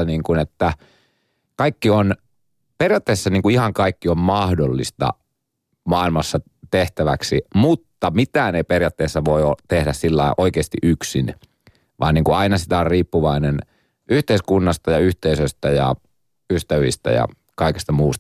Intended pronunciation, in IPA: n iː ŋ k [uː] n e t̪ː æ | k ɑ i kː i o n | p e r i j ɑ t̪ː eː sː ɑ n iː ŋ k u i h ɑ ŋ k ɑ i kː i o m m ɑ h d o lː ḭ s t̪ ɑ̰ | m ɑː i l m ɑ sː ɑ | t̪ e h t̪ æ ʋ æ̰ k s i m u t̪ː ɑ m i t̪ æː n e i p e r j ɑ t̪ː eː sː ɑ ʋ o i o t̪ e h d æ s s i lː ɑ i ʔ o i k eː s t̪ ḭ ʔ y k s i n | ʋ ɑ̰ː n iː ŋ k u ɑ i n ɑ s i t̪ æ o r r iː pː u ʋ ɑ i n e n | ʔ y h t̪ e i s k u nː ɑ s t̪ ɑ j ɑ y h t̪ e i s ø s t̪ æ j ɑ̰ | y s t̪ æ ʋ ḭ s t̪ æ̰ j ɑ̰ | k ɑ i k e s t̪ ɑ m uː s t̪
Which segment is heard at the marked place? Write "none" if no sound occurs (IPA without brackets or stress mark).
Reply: u